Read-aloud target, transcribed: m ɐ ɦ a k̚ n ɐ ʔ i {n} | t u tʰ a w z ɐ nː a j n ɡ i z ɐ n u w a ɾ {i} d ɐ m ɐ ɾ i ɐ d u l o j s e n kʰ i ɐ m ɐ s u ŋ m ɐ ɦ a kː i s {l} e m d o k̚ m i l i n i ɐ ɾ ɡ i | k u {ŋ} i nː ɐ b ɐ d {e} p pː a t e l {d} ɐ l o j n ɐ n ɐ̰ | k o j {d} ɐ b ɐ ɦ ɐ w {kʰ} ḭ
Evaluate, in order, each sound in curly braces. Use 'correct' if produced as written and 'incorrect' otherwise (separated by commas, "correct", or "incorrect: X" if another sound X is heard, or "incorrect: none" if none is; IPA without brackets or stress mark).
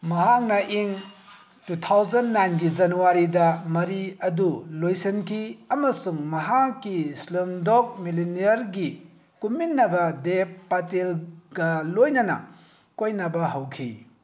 incorrect: ŋ, correct, correct, incorrect: m, correct, incorrect: ɡ, incorrect: n, correct